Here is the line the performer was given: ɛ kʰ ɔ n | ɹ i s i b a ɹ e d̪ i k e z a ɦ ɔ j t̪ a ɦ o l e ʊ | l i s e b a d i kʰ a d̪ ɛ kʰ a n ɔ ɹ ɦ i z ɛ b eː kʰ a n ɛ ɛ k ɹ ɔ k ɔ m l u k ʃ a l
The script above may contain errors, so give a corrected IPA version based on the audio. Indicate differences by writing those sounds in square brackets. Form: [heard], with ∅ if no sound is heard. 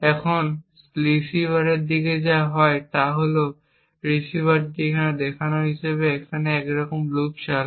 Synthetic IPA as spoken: ɛ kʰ ɔ n | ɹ i s i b a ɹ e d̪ i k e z a ɦ ɔ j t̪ a ɦ o l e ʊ | [ɹ] i s [i] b a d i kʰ a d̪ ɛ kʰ a n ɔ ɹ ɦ i [s] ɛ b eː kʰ a n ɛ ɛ k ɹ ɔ k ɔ m l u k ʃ a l